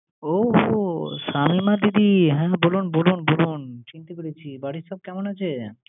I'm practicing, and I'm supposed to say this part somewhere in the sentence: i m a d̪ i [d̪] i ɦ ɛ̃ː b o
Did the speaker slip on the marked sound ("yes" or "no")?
no